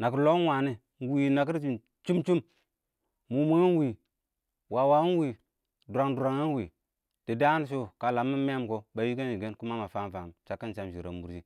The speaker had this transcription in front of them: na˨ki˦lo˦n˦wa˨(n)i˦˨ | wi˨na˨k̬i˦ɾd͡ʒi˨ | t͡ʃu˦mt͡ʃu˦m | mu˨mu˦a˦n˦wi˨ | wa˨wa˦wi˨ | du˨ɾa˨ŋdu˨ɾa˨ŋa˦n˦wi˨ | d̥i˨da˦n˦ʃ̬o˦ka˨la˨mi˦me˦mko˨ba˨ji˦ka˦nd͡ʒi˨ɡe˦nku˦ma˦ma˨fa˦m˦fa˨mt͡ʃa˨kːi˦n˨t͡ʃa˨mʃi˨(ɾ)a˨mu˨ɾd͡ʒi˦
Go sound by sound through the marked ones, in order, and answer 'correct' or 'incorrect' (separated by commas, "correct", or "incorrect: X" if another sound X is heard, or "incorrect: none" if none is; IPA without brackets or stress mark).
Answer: correct, correct